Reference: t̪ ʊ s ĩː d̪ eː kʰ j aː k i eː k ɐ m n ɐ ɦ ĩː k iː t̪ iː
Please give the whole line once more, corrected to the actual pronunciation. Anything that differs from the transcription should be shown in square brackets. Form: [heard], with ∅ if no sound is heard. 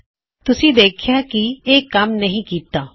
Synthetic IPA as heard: t̪ ʊ s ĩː d̪ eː kʰ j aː k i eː k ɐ m n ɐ ɦ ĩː k iː t̪ [aː]